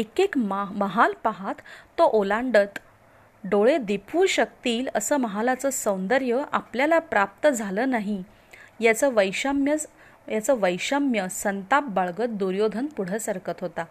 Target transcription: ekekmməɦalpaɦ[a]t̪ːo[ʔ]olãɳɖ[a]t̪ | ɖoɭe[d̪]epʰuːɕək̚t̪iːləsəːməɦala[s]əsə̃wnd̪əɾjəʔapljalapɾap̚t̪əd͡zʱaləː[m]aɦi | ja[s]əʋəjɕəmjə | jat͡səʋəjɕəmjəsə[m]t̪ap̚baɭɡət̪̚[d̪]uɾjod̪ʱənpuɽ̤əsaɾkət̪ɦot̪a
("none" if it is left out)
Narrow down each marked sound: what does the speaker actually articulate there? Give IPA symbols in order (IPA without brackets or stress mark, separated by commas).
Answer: a, ʔ, ə, d̪, t͡s, n, t͡s, n, d̪